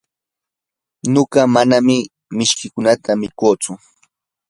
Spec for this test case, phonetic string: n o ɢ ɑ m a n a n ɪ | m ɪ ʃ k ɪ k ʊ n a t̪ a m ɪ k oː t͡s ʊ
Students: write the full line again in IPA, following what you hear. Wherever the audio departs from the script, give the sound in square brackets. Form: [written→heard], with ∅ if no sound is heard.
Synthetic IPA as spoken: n o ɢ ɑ m a n a [n→m] ɪ | m ɪ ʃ k ɪ k ʊ n a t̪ a m ɪ k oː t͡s ʊ